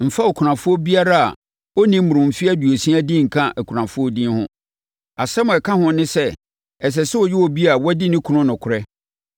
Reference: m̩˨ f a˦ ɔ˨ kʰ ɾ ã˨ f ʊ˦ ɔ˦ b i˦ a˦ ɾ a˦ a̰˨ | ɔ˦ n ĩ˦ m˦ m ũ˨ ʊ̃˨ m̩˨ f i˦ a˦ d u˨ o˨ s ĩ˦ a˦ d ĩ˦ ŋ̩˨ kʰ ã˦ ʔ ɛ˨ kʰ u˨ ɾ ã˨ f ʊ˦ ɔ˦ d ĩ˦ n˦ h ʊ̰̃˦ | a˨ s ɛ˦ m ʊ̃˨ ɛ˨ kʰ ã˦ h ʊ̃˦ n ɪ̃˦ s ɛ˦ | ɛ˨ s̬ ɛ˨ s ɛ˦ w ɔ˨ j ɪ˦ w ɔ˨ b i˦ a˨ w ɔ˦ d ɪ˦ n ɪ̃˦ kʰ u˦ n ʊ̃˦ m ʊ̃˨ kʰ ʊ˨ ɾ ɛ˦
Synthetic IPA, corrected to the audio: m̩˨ f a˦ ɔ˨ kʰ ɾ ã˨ f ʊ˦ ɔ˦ b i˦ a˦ ɾ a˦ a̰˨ | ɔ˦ n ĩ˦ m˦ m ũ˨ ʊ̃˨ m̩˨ f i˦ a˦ d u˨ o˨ s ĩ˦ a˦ d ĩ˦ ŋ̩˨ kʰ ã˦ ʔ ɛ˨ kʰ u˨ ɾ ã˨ f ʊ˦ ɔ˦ d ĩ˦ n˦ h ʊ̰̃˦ | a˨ s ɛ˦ m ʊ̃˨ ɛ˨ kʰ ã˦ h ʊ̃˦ n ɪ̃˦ s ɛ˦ | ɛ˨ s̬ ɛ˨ s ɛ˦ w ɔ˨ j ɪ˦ w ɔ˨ b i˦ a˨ w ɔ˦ d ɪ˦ n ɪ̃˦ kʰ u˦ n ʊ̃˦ n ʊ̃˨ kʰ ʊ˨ ɾ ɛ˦